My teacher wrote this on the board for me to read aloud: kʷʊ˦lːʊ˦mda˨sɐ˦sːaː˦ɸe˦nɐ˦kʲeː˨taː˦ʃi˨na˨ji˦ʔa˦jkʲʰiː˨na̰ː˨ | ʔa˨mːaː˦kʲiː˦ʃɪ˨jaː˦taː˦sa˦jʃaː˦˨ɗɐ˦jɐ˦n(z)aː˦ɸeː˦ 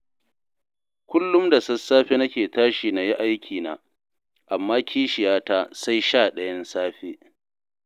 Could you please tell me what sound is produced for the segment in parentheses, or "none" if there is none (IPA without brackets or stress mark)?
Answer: s